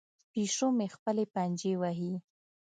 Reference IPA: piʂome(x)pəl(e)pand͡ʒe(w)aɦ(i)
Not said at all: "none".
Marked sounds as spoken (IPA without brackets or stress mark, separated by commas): x, e, w, i